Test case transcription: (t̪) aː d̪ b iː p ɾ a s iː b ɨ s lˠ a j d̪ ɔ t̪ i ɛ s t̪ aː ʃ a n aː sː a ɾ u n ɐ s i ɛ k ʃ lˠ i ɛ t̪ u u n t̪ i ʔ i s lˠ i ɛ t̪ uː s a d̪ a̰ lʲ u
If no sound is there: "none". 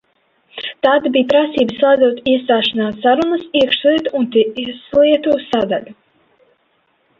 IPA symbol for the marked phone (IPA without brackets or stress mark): t̪